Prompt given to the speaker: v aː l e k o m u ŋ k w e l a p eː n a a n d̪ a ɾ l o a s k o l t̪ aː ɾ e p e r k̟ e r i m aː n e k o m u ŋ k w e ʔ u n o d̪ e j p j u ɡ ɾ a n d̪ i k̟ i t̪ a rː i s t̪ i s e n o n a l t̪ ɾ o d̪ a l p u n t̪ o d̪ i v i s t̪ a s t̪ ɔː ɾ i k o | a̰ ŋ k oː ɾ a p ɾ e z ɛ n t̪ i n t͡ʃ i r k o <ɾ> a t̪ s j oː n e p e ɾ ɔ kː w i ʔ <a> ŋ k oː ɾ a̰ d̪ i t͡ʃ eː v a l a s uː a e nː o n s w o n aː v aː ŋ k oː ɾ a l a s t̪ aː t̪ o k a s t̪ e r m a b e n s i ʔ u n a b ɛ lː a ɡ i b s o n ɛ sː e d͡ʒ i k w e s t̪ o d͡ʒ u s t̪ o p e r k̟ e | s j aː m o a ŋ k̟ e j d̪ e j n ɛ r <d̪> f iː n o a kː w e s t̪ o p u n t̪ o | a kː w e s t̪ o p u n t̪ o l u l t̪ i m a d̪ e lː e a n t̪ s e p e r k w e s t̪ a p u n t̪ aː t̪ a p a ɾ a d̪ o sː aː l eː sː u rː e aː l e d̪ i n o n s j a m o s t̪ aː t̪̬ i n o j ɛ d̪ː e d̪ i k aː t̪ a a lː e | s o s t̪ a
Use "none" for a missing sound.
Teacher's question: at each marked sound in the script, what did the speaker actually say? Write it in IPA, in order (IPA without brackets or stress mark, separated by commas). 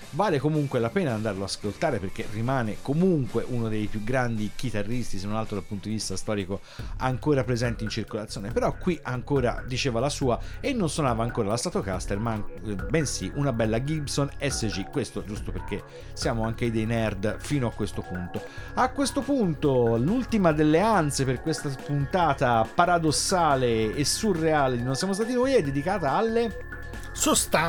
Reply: l, a, d̪